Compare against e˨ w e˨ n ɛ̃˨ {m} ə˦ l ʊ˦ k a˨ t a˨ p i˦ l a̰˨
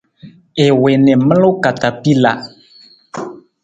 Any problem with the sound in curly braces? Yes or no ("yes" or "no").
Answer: no